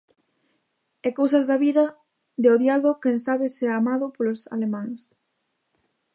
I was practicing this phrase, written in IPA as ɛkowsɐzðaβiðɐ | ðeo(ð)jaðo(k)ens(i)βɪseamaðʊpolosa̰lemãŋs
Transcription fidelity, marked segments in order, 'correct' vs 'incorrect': correct, correct, incorrect: a

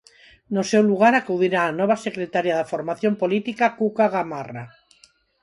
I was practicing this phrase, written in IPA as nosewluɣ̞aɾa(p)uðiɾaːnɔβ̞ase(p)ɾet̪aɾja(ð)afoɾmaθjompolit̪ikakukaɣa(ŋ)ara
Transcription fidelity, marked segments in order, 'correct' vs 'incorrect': incorrect: k, incorrect: k, correct, incorrect: m

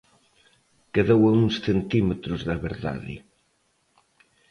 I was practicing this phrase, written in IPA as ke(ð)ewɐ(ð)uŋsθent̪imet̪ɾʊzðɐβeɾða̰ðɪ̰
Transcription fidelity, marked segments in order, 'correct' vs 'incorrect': correct, incorrect: none

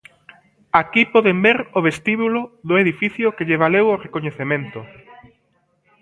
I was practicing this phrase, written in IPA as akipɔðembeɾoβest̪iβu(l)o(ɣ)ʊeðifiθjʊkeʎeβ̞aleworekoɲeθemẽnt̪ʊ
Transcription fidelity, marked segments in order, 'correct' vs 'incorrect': correct, incorrect: ð

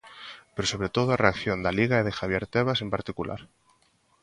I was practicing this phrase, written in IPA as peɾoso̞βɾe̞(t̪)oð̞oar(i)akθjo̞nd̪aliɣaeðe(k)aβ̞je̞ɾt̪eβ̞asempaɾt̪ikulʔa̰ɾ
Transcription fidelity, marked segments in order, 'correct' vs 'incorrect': correct, incorrect: e, incorrect: x

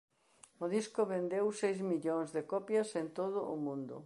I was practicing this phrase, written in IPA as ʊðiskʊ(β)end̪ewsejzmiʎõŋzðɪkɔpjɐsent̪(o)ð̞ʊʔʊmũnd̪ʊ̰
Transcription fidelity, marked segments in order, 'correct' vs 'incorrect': correct, correct

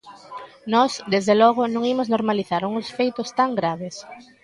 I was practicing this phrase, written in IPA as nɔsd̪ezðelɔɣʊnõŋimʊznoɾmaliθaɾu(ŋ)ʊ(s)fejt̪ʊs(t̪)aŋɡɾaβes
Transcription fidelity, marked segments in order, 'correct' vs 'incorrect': correct, correct, correct

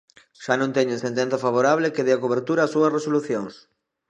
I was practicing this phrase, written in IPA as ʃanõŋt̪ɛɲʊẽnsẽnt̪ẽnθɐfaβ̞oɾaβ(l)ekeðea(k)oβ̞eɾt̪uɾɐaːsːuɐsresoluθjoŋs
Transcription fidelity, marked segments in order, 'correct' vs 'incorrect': correct, correct

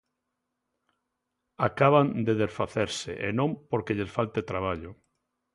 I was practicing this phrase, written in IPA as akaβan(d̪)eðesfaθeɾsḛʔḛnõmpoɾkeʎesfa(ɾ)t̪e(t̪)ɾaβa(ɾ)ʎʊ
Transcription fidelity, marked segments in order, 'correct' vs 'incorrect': correct, incorrect: l, correct, incorrect: none

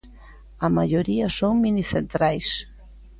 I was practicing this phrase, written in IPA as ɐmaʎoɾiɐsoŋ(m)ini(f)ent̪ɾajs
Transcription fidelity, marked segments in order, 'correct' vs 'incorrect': correct, incorrect: θ

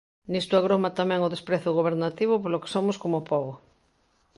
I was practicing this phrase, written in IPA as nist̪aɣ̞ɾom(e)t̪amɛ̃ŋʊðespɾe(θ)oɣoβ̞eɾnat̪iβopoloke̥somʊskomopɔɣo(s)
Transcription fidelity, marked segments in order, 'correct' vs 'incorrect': incorrect: a, correct, incorrect: none

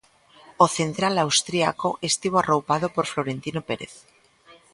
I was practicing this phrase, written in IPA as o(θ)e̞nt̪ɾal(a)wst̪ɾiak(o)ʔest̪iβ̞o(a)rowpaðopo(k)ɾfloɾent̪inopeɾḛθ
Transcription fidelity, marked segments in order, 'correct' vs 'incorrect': correct, correct, correct, correct, incorrect: none

